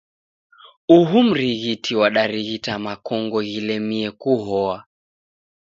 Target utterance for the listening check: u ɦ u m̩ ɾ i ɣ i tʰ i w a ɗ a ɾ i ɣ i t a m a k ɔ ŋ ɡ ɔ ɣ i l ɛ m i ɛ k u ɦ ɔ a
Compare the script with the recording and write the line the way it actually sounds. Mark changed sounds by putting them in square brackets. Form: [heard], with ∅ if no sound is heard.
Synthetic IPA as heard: u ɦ u m̩ ɾ i ɣ i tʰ i w a ɗ a ɾ i ɣ i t a m a k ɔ ŋ ɡ ɔ ɣ i l ɛ m i ɛ k u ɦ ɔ a